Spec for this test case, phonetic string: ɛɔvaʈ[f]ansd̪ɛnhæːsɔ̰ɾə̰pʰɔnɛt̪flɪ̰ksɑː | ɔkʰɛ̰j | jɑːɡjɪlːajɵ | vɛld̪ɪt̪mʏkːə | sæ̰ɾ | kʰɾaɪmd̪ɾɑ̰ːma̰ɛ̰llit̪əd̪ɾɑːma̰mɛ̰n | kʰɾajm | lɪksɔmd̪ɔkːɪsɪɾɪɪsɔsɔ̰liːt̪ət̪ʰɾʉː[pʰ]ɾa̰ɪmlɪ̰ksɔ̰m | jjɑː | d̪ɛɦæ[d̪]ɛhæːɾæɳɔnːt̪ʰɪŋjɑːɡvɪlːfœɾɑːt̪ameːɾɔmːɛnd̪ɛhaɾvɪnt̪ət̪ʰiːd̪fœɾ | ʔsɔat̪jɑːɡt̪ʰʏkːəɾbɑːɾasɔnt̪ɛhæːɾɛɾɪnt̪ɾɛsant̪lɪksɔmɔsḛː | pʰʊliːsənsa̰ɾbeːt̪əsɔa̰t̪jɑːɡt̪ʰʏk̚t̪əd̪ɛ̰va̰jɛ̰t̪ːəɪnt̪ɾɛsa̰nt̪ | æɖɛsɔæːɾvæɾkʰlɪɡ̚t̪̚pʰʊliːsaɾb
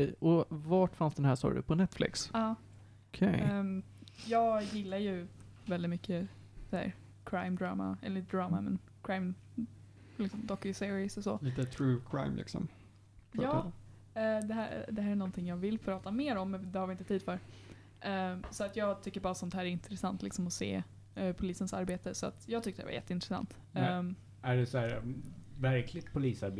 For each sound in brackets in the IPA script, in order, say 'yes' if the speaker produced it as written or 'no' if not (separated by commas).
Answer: yes, no, yes